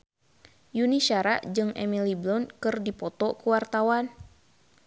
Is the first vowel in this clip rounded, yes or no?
yes